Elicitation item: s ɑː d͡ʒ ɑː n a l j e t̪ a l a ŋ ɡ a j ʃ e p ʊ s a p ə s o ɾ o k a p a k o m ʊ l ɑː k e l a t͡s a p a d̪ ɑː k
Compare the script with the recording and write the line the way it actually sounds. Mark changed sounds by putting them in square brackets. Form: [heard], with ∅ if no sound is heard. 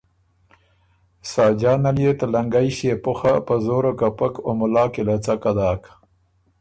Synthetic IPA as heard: s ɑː d͡ʒ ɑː n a l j e t̪ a l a ŋ ɡ a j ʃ e p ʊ [x] a p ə [z] o ɾ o k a p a k o m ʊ l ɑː k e l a t͡s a [k] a d̪ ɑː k